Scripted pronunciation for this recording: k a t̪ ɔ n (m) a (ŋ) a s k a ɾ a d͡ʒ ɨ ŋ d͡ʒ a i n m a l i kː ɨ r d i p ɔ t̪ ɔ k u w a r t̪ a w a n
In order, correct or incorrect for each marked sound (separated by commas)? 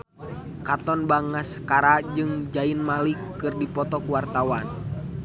incorrect, correct